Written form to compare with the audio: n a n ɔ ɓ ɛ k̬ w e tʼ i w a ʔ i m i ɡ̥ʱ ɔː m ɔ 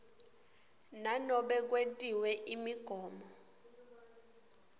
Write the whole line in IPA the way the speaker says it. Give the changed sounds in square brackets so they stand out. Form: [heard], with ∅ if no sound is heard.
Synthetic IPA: n a n ɔ ɓ ɛ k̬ w e tʼ i w [ɛ] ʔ i m i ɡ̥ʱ ɔː m ɔ